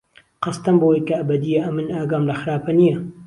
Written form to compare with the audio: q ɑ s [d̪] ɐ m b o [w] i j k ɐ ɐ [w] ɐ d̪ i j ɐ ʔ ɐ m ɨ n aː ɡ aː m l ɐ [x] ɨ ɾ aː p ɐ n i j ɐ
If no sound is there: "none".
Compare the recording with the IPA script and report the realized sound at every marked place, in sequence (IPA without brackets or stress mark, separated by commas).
t̪, w, b, x